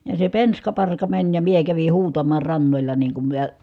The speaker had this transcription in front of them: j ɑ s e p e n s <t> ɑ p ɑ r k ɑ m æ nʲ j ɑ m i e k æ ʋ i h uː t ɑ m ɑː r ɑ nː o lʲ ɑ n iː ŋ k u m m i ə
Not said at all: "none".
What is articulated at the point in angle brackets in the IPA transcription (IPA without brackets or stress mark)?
k